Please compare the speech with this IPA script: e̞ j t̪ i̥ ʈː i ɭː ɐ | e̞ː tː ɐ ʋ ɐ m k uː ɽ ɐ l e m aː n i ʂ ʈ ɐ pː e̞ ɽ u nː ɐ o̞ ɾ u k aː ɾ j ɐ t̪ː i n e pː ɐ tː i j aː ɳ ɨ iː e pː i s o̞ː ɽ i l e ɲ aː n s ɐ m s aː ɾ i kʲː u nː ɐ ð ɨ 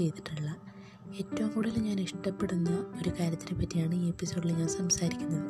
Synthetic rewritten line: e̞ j t̪ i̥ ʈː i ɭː ɐ | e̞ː tː ɐ ʋ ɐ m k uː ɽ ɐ l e ɲ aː n i ʂ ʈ ɐ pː e̞ ɽ u nː ɐ o̞ ɾ u k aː ɾ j ɐ t̪ː i n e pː ɐ tː i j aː ɳ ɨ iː e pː i s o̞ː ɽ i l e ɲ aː n s ɐ m s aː ɾ i kʲː u nː ɐ ð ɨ